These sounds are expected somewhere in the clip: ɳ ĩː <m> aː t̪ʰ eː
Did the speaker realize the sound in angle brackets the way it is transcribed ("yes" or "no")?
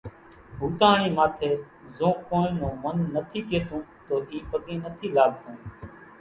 yes